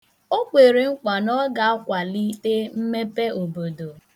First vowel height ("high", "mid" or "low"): mid